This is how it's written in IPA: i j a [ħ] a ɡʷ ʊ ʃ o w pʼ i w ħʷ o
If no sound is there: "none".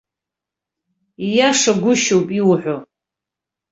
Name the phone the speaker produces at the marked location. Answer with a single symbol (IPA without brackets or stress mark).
ʂ